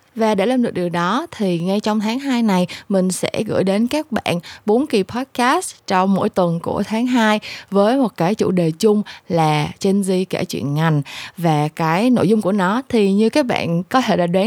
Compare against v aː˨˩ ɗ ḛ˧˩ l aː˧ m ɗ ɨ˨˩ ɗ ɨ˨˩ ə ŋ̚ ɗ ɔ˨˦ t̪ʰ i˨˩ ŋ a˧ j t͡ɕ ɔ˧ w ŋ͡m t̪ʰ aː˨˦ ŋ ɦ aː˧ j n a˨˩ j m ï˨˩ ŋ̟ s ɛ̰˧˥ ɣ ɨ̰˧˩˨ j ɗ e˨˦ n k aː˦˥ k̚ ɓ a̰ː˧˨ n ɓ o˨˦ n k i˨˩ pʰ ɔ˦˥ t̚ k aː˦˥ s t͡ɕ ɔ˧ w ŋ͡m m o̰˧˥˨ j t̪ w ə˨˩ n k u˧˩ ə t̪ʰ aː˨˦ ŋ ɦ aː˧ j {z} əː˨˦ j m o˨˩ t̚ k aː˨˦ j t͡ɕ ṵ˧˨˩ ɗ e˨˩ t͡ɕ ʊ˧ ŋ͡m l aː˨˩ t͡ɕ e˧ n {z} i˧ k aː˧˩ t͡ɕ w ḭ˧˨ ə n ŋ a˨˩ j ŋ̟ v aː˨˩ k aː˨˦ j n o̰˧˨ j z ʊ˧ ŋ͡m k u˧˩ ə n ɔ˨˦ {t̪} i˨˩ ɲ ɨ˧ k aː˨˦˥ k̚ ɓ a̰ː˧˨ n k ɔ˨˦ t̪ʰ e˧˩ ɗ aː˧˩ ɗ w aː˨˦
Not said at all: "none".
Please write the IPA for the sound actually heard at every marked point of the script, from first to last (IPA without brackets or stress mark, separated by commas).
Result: v, z, t̪ʰ